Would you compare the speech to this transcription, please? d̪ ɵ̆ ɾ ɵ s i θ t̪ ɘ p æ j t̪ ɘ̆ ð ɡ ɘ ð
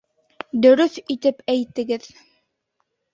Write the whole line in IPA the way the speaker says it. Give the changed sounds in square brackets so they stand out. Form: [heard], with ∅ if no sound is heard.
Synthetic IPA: d̪ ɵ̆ ɾ ɵ [θ] i [∅] t̪ ɘ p æ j t̪ ɘ̆ [∅] ɡ ɘ ð